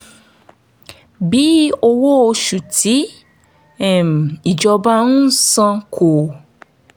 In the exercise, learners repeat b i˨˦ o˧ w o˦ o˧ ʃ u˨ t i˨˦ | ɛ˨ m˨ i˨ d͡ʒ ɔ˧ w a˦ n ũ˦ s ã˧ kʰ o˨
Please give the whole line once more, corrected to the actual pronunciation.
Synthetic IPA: b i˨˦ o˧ w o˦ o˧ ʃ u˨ t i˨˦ | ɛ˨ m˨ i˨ d͡ʒ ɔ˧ b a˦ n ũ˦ s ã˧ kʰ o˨